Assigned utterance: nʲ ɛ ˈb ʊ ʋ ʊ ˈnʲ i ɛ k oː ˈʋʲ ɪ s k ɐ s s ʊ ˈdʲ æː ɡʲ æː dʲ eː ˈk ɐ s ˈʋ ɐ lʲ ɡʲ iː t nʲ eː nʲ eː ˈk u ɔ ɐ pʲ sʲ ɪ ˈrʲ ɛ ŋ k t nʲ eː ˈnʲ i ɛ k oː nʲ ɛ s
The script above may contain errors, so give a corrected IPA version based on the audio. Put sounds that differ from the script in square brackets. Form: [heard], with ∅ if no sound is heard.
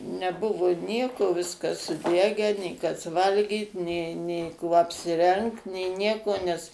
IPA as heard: nʲ ɛ ˈb ʊ ʋ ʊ ˈnʲ i ɛ k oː ˈʋʲ ɪ s k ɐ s s ʊ ˈdʲ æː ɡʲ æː [nʲ] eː ˈk ɐ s ˈʋ ɐ lʲ ɡʲ iː t nʲ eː nʲ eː ˈk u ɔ ɐ pʲ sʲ ɪ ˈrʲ ɛ ŋ k t nʲ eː ˈnʲ i ɛ k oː nʲ ɛ s